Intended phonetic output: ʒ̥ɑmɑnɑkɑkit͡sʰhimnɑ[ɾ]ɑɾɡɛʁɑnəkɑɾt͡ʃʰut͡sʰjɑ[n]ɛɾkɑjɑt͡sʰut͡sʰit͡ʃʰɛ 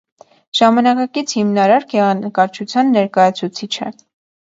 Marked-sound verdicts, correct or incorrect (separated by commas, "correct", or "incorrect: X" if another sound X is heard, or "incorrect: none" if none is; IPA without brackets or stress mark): correct, incorrect: nː